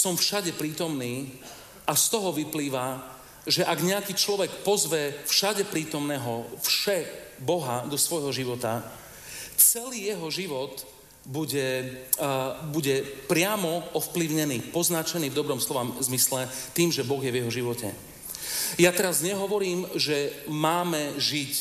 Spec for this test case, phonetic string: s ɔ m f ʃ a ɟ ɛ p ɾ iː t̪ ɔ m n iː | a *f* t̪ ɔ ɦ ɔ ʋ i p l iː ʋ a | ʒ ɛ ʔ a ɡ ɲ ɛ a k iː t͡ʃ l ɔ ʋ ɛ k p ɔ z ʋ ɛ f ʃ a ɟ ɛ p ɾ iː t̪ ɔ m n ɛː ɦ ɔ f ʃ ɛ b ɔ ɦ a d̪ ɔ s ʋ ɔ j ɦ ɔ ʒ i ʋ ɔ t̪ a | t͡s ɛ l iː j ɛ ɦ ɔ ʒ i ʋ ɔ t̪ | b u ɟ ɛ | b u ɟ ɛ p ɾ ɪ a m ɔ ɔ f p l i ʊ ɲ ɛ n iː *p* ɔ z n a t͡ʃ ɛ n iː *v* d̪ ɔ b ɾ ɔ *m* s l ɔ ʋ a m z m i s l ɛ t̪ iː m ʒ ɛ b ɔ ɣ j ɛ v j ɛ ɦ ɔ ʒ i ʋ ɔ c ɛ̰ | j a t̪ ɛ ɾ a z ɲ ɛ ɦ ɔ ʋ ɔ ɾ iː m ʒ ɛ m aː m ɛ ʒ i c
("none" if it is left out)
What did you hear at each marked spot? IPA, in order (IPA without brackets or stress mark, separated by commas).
s, p, v, m